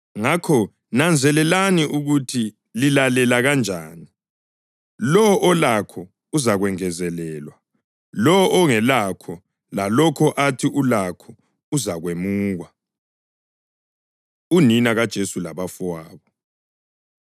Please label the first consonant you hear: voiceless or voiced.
voiced